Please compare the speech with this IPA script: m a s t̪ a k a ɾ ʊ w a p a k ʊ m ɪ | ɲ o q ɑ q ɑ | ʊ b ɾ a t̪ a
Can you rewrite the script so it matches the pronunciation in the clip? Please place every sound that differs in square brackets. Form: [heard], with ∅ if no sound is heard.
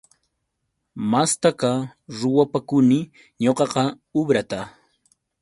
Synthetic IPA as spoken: m a s t̪ a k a ɾ ʊ w a p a k ʊ [n] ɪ | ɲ o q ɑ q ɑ | ʊ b ɾ a t̪ a